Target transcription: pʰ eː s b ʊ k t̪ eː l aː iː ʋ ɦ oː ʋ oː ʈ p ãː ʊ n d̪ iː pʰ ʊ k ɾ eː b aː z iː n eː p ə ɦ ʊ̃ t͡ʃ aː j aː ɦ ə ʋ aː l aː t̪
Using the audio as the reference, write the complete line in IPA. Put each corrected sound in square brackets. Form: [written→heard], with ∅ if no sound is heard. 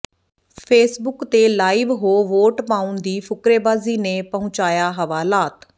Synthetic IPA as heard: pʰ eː s b ʊ k t̪ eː l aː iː ʋ ɦ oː ʋ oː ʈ p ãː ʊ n d̪ iː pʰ ʊ k ɾ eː b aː z iː n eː p ə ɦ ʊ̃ t͡ʃ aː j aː ɦ ə ʋ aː l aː t̪